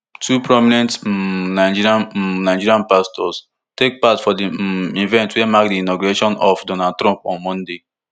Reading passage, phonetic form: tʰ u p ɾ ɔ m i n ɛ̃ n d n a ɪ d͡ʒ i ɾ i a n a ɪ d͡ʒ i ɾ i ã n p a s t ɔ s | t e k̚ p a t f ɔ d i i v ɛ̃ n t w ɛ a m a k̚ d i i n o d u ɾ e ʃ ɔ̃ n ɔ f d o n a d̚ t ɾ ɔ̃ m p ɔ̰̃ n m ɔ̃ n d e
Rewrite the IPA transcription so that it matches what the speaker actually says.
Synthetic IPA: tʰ u p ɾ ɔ m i n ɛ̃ n t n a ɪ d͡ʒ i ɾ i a n a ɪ d͡ʒ i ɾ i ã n p a s t ɔ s | t e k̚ p a t f ɔ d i i v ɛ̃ n t w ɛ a m a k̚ d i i n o ɡ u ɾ e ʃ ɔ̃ n ɔ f d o n a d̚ t ɾ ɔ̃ m p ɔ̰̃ n m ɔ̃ n d e